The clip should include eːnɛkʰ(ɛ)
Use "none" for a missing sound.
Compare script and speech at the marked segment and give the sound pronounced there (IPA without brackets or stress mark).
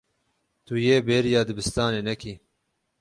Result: i